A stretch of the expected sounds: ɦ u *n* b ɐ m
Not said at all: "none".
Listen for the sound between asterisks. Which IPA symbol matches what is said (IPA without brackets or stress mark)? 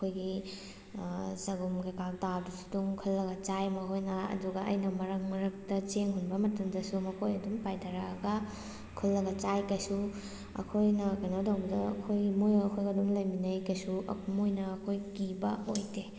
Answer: n